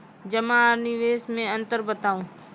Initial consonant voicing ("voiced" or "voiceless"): voiced